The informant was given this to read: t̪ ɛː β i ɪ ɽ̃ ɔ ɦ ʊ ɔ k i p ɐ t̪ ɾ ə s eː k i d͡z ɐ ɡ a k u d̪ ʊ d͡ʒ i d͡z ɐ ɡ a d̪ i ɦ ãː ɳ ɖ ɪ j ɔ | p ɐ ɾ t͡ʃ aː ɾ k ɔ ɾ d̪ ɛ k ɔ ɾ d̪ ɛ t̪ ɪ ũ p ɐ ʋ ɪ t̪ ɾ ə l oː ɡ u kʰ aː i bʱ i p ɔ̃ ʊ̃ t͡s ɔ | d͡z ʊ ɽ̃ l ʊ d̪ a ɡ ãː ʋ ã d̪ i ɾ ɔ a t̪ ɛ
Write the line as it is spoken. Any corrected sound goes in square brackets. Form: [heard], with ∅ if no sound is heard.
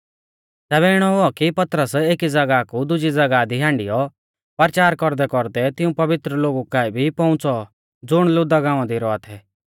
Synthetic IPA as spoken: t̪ ɛː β [ɛ] ɪ ɽ̃ ɔ ɦ ʊ ɔ k i p ɐ t̪ ɾ ə s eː k i d͡z ɐ ɡ a k u d̪ ʊ d͡ʒ i d͡z ɐ ɡ a d̪ i ɦ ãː ɳ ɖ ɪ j ɔ | p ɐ ɾ t͡ʃ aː ɾ k ɔ ɾ d̪ ɛ k ɔ ɾ d̪ ɛ t̪ ɪ ũ p ɐ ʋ ɪ t̪ ɾ ə l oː ɡ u [k] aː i bʱ i p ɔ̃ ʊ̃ t͡s ɔ | d͡z ʊ ɽ̃ l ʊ d̪ a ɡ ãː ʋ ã d̪ i ɾ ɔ a [t̪ʰ] ɛ